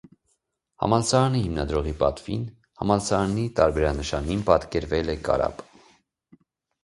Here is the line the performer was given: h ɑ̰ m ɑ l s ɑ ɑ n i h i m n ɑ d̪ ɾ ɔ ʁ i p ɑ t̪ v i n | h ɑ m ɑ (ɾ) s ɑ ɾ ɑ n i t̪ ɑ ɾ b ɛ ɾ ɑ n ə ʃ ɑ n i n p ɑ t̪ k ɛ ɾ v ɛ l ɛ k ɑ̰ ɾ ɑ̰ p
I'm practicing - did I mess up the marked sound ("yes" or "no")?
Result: yes